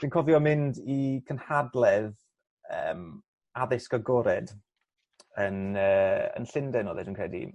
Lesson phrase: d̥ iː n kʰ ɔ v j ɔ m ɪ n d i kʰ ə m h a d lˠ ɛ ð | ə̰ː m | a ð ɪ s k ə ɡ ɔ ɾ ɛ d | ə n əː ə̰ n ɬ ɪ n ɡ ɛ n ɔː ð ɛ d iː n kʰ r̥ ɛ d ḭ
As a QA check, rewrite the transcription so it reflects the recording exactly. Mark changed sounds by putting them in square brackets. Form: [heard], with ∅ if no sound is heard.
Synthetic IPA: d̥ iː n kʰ ɔ v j ɔ m ɪ n d i kʰ ə [n] h a d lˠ ɛ ð | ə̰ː m | a ð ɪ s k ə ɡ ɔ ɾ ɛ d | ə n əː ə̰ n ɬ ɪ n [d] ɛ n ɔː ð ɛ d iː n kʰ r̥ ɛ d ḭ